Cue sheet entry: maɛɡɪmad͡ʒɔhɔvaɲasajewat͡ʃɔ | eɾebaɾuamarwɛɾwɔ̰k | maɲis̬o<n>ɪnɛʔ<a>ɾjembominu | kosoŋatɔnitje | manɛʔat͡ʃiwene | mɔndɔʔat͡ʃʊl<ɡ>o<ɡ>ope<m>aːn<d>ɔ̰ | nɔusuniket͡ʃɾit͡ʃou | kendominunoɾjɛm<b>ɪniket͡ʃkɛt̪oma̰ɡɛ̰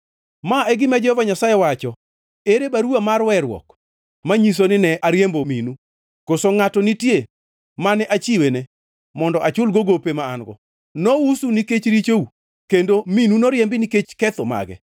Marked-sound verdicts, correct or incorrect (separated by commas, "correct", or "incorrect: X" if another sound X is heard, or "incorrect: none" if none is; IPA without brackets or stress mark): correct, correct, correct, correct, correct, incorrect: ɡ, correct